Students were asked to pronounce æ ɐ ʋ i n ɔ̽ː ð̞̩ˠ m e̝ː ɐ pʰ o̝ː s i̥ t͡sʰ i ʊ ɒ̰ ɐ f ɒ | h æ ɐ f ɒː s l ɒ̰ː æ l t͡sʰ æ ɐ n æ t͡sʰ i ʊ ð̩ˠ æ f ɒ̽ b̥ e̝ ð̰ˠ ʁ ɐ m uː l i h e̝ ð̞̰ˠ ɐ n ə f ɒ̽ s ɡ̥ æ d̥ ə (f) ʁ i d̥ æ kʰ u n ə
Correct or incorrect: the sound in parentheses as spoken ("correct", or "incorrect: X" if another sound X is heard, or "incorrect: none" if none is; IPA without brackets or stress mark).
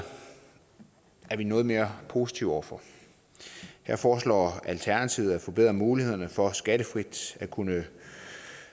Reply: correct